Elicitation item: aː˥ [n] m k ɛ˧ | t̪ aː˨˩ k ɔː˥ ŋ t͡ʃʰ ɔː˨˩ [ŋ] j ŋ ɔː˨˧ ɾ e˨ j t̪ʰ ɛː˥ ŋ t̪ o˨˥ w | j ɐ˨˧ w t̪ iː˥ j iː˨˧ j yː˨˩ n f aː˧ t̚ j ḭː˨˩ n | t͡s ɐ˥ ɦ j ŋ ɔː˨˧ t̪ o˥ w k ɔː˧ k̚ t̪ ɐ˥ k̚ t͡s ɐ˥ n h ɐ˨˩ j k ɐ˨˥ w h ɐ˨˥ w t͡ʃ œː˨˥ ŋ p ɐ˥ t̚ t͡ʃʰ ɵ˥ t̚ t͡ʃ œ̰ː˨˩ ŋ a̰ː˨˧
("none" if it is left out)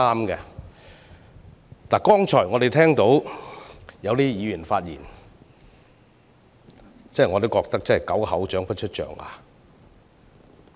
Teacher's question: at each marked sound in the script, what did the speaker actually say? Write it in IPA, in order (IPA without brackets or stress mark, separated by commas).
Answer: none, none